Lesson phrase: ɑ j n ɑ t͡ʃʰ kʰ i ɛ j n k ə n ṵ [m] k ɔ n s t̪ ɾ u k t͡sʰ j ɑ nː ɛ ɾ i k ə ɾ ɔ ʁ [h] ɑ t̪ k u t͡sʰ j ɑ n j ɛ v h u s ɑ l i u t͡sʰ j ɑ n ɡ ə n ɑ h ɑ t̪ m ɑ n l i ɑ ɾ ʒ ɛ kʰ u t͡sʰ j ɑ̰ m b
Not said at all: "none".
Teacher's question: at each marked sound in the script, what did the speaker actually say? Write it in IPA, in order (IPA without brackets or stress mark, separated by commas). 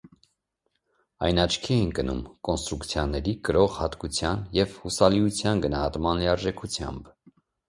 m, h